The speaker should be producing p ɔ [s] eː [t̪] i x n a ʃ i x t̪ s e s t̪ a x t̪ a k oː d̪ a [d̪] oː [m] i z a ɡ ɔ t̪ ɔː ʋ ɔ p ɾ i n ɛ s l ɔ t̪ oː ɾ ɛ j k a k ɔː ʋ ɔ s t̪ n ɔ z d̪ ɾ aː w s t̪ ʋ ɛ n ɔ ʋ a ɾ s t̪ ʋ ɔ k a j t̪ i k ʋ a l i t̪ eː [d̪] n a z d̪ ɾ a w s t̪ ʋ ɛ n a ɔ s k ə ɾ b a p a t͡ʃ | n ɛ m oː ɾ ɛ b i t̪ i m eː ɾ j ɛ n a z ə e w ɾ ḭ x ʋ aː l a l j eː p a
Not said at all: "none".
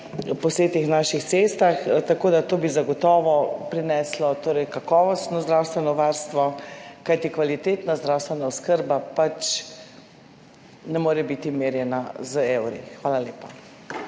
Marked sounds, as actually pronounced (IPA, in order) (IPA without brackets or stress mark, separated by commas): s, t̪, t̪, b, t̪